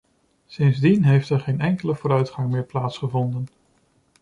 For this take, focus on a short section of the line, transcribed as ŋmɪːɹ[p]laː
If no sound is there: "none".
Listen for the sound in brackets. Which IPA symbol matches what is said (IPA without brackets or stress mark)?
p